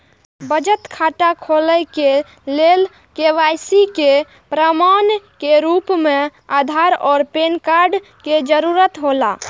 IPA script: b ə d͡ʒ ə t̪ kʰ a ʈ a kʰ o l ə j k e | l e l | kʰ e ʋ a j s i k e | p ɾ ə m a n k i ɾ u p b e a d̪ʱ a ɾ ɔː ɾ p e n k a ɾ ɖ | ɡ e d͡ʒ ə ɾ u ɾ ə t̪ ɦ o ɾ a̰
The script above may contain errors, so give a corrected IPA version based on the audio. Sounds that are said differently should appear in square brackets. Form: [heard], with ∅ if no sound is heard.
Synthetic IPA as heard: b ə d͡ʒ ə t̪ kʰ a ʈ a kʰ o l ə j k e | l e l | [k] e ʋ a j s i k e | p ɾ ə m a n k [e] ɾ u p [m] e a d̪ʱ a ɾ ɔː ɾ p e n k a ɾ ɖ | [k] e d͡ʒ ə ɾ u ɾ ə t̪ ɦ o [l] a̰